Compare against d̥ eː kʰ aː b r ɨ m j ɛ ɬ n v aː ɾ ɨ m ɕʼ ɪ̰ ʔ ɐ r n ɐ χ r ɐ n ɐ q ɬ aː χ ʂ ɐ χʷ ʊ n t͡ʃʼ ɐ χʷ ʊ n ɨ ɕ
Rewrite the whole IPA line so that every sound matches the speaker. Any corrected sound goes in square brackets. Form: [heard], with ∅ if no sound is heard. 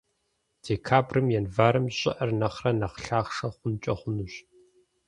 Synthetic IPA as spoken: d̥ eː kʰ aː b r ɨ m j ɛ [∅] n v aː ɾ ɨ m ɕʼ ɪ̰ ʔ ɐ r n ɐ χ r ɐ n ɐ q ɬ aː χ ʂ ɐ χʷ ʊ n t͡ʃʼ ɐ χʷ ʊ n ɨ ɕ